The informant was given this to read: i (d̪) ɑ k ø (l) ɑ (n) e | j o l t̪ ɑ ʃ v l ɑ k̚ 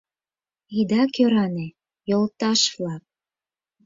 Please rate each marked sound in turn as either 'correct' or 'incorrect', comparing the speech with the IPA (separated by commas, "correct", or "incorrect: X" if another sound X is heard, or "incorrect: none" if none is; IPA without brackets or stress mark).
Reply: correct, incorrect: ɾ, correct